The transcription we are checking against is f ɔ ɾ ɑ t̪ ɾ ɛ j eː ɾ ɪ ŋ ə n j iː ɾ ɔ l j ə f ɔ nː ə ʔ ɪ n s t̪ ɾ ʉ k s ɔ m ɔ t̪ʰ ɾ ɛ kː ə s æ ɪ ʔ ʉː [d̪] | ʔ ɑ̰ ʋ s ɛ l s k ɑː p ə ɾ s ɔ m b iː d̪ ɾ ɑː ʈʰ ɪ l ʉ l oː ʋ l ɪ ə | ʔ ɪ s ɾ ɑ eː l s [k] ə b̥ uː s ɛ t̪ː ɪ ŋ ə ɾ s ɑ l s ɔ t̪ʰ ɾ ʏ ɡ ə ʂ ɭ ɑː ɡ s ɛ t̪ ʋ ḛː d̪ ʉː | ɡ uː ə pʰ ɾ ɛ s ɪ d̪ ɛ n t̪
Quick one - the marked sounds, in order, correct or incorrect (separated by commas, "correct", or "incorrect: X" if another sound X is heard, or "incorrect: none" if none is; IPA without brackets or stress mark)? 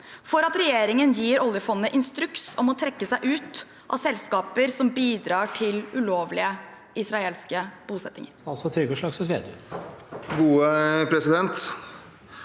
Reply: incorrect: t̪, correct